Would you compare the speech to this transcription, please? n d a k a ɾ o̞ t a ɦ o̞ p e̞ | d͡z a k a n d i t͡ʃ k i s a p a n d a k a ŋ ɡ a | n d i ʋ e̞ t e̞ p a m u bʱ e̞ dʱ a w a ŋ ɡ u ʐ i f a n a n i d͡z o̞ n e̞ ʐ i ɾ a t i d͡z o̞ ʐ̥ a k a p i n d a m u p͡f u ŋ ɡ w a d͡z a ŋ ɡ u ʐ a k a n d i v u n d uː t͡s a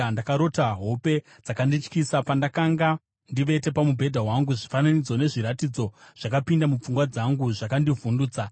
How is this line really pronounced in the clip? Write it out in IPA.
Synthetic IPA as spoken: n d a k a ɾ o̞ t a ɦ o̞ p e̞ | d͡z a k a n d i t͡ʃ k i s a p a n d a k a ŋ ɡ a | n d i ʋ e̞ t e̞ p a m u bʱ e̞ dʱ a w a ŋ ɡ u ʐ i f a n a n i d͡z o̞ n e̞ ʐ i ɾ a t i d͡z o̞ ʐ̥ a k a p i n d a m u p͡f u ŋ ɡ w a d͡z a ŋ ɡ u ʐ a k a n d i v u n d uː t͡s a